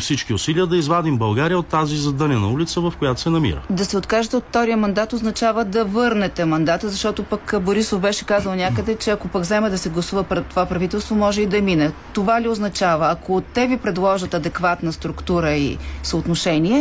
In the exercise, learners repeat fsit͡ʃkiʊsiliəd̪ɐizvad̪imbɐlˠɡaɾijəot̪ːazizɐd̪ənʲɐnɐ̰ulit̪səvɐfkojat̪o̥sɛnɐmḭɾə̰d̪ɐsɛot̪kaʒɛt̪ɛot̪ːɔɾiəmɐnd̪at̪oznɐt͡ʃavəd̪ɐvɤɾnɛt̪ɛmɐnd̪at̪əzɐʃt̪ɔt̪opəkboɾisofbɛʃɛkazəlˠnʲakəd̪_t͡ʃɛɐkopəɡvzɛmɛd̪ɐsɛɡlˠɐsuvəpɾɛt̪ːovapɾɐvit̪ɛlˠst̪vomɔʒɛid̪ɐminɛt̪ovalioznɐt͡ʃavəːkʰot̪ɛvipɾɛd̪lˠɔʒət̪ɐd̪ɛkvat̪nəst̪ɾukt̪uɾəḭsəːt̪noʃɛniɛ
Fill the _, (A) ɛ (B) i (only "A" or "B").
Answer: A